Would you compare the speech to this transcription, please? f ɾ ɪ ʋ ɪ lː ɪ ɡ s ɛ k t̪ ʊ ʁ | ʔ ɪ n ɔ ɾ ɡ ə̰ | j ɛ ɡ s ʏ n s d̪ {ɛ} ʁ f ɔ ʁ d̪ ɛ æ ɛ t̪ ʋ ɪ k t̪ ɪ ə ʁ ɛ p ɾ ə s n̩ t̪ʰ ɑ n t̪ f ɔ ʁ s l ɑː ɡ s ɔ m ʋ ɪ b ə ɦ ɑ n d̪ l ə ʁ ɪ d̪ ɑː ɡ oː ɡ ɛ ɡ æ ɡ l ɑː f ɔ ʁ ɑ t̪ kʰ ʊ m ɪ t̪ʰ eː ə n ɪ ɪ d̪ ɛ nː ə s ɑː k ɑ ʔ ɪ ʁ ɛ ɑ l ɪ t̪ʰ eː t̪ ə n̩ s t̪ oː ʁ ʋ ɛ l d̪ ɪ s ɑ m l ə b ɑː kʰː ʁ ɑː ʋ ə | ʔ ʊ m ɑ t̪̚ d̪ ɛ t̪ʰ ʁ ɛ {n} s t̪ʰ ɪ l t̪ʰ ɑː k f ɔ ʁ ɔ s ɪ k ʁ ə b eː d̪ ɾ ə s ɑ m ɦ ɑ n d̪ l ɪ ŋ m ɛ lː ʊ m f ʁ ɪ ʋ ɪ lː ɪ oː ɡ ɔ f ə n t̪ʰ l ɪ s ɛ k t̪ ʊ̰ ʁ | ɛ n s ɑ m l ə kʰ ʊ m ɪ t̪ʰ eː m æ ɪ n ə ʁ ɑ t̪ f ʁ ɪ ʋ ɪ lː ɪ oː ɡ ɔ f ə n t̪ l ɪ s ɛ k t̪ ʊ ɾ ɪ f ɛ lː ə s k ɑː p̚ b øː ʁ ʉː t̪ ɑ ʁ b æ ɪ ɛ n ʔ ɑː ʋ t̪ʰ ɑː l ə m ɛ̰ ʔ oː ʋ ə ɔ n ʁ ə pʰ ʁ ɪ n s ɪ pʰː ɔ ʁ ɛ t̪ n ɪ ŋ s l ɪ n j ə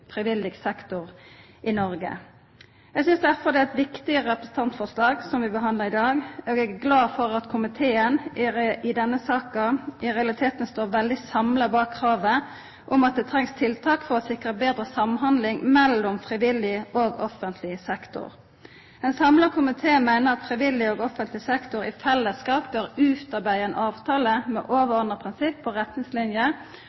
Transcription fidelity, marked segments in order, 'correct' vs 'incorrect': incorrect: æ, incorrect: ŋ

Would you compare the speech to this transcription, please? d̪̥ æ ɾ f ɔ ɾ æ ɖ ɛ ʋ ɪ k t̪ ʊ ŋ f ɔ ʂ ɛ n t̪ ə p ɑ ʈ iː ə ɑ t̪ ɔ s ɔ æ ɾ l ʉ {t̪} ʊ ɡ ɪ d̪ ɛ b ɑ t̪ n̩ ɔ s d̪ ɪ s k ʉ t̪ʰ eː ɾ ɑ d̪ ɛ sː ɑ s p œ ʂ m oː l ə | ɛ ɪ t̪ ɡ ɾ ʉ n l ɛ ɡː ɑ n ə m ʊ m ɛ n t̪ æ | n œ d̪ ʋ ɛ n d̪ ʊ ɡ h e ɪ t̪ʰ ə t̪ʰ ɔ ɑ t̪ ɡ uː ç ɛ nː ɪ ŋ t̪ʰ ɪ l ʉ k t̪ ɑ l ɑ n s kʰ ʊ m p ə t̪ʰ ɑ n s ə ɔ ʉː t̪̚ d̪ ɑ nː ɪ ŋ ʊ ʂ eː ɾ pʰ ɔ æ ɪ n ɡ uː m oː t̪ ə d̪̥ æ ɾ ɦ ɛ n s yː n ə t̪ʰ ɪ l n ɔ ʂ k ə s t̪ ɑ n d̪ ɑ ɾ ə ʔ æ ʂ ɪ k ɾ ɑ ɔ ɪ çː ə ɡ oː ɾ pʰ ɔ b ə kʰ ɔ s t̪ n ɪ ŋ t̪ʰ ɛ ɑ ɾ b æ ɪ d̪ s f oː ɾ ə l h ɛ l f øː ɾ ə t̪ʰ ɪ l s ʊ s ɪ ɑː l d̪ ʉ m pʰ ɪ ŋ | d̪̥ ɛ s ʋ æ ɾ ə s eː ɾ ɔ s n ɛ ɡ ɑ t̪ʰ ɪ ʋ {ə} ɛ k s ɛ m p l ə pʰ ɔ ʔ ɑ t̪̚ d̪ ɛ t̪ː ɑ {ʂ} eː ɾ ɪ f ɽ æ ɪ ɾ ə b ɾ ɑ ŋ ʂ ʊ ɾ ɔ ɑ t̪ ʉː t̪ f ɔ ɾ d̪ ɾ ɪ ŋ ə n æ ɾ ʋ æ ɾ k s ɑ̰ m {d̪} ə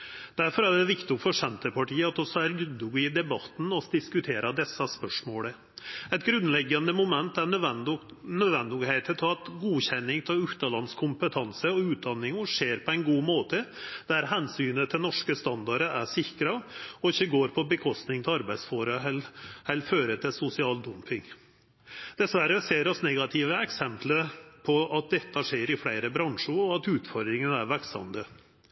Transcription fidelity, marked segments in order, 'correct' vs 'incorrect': incorrect: d̪, correct, correct, correct

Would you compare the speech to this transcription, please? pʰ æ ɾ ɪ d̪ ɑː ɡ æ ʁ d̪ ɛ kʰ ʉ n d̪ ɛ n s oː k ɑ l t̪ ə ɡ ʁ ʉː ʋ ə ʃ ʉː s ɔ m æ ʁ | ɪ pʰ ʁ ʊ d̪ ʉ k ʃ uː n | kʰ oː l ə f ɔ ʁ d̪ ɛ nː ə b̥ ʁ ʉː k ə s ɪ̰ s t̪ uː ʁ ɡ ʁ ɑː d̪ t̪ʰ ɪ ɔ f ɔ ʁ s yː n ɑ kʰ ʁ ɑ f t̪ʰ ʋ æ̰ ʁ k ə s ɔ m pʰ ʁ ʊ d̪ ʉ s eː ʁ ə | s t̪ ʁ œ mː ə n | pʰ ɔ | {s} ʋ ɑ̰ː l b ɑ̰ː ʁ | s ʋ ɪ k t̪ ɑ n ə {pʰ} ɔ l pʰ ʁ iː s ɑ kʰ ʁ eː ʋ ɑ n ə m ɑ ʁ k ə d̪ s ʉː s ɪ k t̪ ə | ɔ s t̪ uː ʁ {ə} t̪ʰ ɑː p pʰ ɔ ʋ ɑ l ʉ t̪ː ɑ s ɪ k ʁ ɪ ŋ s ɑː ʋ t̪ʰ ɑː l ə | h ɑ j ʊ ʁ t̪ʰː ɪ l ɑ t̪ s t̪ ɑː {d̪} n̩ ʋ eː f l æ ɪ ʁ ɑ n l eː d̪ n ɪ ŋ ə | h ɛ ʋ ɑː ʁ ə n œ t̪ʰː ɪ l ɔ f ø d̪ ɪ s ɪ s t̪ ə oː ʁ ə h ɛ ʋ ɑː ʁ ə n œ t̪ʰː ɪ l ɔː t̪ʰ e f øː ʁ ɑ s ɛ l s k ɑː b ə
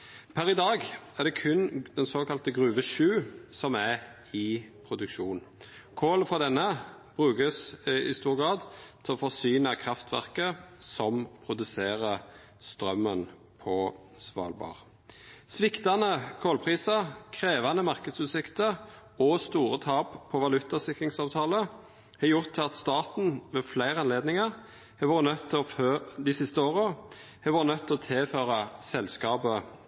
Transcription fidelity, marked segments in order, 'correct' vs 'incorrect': correct, incorrect: kʰ, correct, incorrect: t̪

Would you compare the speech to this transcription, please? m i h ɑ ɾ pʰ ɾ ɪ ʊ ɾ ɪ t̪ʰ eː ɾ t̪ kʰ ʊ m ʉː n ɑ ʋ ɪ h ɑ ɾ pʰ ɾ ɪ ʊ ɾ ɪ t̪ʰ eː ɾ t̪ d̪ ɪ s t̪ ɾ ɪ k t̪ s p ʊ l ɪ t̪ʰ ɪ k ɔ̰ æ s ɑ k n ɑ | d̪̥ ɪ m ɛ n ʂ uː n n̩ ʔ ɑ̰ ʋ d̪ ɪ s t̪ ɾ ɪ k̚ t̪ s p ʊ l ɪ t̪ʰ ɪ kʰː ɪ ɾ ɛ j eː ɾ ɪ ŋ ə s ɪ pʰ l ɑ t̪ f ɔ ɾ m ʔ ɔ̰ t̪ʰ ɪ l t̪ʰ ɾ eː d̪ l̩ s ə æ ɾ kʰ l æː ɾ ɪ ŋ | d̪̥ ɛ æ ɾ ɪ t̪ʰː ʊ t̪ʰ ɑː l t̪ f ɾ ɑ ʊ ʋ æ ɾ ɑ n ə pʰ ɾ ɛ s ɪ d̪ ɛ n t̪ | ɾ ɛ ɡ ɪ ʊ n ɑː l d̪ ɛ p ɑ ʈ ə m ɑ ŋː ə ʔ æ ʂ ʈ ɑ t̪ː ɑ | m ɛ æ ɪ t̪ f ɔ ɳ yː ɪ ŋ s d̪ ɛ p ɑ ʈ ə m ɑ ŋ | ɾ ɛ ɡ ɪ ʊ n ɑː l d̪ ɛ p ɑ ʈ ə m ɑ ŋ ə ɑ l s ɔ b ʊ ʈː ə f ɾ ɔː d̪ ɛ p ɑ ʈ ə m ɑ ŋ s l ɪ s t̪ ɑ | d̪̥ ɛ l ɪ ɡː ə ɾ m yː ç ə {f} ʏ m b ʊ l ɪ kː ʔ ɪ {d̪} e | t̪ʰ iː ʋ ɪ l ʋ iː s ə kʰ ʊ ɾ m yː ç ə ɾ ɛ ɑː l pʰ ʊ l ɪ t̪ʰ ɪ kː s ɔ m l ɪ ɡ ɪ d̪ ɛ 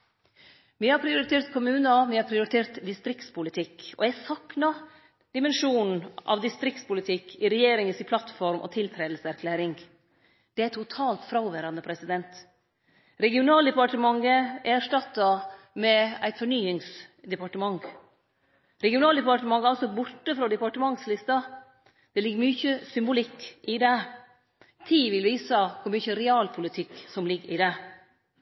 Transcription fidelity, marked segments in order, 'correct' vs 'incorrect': incorrect: s, correct

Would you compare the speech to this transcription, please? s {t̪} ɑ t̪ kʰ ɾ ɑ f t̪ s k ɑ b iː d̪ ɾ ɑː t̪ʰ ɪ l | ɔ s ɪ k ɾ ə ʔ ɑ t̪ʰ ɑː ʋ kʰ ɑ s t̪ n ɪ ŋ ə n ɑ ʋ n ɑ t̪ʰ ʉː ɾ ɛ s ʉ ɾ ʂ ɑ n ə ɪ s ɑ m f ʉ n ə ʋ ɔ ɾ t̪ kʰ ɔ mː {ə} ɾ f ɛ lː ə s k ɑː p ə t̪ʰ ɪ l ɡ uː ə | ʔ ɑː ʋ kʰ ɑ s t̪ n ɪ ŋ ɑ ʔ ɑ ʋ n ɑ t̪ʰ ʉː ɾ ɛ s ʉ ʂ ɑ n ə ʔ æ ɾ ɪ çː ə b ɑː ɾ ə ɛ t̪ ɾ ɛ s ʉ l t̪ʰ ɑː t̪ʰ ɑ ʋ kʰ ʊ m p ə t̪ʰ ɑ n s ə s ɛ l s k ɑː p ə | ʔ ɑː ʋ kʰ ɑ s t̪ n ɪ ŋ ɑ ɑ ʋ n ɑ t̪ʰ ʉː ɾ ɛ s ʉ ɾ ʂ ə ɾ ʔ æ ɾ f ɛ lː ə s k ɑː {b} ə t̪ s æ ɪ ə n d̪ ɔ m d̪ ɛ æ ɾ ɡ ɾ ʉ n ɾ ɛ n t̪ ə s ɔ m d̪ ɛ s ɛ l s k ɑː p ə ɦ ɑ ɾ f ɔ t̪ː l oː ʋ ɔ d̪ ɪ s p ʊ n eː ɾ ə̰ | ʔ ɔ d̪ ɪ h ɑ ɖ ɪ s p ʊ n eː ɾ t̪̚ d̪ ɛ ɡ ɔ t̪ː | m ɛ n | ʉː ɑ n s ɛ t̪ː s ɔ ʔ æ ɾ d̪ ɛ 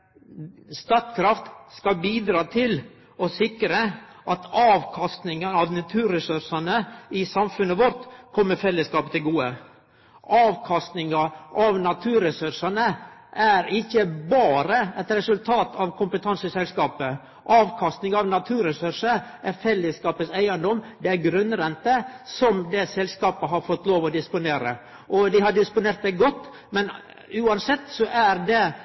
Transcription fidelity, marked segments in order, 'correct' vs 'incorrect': correct, correct, incorrect: p

